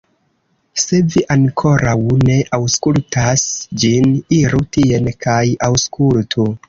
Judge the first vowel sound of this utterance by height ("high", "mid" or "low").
mid